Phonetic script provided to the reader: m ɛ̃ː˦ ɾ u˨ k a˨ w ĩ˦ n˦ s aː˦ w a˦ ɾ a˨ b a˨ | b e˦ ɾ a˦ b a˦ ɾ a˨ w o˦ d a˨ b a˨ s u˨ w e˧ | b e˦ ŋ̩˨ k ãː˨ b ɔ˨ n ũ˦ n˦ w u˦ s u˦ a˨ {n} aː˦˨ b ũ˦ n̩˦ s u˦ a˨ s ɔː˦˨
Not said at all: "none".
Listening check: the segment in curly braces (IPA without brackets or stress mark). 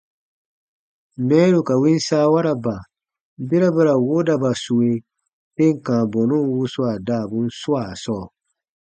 d